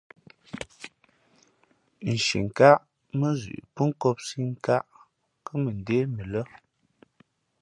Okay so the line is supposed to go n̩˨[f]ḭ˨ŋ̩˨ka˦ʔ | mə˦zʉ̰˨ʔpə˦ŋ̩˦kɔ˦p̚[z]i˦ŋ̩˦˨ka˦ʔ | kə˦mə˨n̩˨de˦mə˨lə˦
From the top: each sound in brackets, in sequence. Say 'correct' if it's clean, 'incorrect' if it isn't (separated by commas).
incorrect, incorrect